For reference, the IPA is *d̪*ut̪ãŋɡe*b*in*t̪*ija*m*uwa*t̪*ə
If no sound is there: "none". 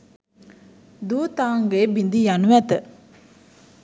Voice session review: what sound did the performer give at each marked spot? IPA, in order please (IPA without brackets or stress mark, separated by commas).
d̪, b, d̪, n, t̪